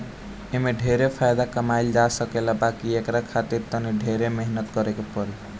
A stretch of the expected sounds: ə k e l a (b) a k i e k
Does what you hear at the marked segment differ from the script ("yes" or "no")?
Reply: no